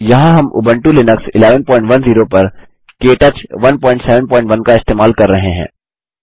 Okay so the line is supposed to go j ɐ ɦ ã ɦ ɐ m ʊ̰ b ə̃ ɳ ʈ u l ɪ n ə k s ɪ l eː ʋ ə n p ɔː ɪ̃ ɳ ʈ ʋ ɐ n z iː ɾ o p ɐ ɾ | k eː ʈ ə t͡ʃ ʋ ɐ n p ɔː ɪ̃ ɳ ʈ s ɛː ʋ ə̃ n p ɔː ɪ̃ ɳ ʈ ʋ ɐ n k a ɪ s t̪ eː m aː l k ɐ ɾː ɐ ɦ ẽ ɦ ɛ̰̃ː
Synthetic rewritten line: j ɐ ɦ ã ɦ ɐ m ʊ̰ b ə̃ ɳ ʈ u l ɪ n ə k s ɪ l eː ʋ ə n p ɔː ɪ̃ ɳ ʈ ʋ ɐ n z iː ɾ o p ɐ ɾ | k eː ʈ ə t͡ʃ ʋ ɐ n p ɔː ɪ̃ ɳ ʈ s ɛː ʋ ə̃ n p ɔː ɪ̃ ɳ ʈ ʋ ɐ n k a ɪ s t̪ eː m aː l k ɐ ɾː ɐ ɦ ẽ ɦ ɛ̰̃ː

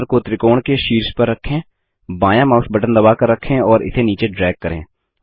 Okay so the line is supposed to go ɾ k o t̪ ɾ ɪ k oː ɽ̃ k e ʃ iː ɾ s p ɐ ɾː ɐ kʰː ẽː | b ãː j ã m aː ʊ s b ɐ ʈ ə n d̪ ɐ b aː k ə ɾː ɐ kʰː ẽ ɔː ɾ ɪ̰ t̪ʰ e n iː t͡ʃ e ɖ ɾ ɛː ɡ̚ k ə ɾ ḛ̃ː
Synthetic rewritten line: ɾ k o t̪ ɾ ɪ k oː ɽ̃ k e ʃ iː ɾ s p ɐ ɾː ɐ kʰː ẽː | b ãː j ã m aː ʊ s b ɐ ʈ ə n d̪ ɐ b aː k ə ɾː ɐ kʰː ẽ ɔː ɾ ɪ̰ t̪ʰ e n iː t͡ʃ e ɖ ɾ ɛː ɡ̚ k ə ɾ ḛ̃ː

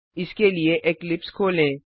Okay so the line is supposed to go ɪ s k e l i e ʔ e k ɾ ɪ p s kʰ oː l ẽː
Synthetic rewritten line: ɪ s k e l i e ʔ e k l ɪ p s kʰ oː l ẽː

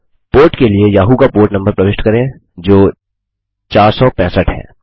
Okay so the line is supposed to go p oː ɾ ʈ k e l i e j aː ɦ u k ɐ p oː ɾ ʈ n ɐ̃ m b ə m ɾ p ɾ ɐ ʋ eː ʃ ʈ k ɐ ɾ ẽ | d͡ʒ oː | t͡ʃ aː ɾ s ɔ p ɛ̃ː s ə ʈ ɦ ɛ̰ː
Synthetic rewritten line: p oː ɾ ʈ k e l i e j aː ɦ u k a p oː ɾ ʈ n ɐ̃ m b ə ɾ p ɾ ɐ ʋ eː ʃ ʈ k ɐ ɾ ẽ | d͡ʒ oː | t͡ʃ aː ɾ s ɔ p ɛ̃ː s ə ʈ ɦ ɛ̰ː

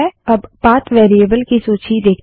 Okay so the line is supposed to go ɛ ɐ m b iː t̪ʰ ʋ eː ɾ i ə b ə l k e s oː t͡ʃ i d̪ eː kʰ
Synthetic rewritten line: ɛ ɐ b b aː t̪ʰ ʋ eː ɾ i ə b ə l k i s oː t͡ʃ i d̪ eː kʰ

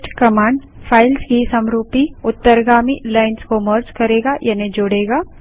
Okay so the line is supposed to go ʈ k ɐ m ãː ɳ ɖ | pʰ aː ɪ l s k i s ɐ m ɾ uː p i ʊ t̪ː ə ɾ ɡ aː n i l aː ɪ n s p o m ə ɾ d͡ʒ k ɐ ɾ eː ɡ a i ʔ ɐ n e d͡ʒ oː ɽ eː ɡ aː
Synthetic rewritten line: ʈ k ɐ m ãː ɳ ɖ | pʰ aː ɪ l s k i s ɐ m ɾ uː p i ʊ t̪ː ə ɾ ɡ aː m i l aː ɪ n s k o m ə ɾ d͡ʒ k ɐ ɾ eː ɡ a j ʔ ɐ n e d͡ʒ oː ɽ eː ɡ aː

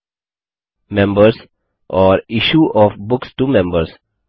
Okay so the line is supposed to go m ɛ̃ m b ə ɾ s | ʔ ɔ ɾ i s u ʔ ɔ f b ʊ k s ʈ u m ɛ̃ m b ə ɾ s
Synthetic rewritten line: m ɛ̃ m b ə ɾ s | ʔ ɔ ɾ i ʃ u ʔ ɔ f b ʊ k s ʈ u m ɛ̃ m b ə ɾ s

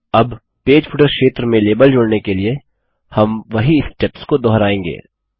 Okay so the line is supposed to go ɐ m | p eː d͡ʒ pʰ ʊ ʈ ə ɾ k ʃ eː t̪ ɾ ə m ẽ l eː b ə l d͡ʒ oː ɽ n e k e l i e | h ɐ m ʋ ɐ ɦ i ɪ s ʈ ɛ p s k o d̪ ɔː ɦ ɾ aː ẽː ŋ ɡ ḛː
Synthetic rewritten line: ɐ b | p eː d͡ʒ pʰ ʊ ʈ ə ɾ k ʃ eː t̪ ɾ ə m ẽ l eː b ə l d͡ʒ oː ɽ n e k e l i e | h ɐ m ʋ ɐ ɦ i ɪ s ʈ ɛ p s k o d̪ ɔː ɦ ɾ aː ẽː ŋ ɡ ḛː

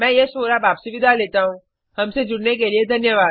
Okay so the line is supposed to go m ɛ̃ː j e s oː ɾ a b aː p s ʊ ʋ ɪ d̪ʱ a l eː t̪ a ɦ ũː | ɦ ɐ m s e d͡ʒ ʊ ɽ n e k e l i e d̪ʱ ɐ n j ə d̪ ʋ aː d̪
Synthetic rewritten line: m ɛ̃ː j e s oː ɾ a b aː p s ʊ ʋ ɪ d̪ʱ a l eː t̪ a ɦ ũː | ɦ ɐ m s e d͡ʒ ʊ ɽ n e k e l i e d̪ʱ ɐ n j ə ʋ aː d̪

